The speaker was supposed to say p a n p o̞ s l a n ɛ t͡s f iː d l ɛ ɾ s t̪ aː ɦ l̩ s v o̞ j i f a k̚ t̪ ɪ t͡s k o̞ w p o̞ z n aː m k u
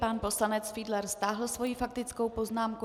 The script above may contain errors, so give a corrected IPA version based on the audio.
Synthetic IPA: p a n p o̞ s l a n ɛ t͡s f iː d l ɛ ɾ s t̪ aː ɦ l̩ s v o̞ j i f a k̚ t̪ ɪ t͡s k o̞ w p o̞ z n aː m k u